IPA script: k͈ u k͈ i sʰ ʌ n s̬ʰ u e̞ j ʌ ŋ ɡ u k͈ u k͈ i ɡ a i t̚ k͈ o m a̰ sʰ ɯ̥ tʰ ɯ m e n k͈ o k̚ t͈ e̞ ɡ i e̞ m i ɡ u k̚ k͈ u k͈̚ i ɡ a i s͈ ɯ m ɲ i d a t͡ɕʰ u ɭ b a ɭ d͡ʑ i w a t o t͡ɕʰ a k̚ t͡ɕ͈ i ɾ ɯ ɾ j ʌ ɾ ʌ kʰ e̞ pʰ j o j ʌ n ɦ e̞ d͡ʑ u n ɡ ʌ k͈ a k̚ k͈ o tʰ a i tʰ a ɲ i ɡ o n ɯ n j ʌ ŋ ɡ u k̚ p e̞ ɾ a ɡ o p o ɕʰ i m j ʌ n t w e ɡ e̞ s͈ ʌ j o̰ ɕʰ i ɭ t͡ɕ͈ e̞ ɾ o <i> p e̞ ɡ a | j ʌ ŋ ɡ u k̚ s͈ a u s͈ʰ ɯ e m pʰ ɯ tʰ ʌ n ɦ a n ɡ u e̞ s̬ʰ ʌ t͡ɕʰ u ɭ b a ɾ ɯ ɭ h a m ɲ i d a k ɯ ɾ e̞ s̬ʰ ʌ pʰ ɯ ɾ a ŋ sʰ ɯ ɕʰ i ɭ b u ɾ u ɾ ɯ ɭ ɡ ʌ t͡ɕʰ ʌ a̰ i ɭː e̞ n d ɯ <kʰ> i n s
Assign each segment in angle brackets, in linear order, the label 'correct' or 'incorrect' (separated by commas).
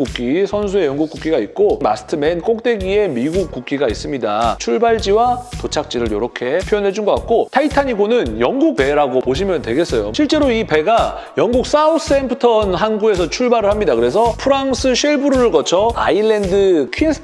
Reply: correct, correct